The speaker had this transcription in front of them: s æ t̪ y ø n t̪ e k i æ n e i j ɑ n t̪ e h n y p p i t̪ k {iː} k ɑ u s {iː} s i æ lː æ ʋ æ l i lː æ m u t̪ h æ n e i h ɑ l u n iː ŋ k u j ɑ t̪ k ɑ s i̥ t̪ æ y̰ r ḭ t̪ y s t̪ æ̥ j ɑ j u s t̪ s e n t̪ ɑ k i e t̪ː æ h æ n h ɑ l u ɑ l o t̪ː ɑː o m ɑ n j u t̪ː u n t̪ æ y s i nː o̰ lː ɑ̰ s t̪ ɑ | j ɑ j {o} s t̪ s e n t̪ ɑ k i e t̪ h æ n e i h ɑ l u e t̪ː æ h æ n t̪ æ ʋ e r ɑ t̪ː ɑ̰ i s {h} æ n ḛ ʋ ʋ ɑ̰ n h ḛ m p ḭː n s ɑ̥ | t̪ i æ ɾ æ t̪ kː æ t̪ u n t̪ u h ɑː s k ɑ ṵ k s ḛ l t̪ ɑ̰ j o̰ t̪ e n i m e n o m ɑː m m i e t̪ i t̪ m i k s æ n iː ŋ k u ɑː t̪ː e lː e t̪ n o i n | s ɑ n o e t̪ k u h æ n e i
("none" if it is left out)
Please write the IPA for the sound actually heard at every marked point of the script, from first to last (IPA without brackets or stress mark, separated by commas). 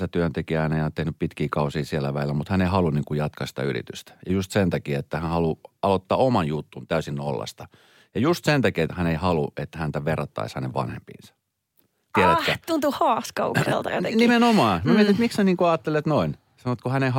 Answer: iː, iː, u, h